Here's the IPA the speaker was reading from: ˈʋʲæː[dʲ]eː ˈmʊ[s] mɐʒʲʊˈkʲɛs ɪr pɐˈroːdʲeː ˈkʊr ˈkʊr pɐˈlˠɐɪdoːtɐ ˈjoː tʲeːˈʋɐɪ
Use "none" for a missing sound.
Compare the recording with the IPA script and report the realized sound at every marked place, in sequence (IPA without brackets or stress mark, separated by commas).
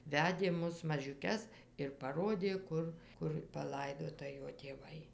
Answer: dʲ, s